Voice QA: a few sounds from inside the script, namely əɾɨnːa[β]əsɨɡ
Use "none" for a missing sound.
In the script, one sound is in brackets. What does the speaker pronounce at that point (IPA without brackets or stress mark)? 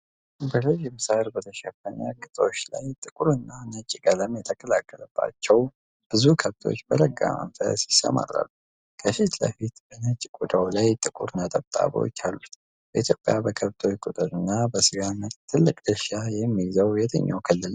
b